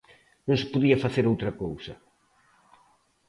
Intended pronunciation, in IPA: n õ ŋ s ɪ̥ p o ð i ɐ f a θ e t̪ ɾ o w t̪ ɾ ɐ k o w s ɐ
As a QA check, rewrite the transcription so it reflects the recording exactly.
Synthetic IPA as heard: n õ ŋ s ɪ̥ p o ð i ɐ f a θ e ɾ o w t̪ ɾ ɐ k o w s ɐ